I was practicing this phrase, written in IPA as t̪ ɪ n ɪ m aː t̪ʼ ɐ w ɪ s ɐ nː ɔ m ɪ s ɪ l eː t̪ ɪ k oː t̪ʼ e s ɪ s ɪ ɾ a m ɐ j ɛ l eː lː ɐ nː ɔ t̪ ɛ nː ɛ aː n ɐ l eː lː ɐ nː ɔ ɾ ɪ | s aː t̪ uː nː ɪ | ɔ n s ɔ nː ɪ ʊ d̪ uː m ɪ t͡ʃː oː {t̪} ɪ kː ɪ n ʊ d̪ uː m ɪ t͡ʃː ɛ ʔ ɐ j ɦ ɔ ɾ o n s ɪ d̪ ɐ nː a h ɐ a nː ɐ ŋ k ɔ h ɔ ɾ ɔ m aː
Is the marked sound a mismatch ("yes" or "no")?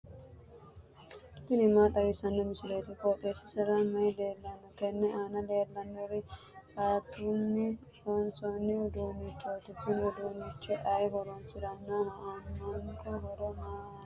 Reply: no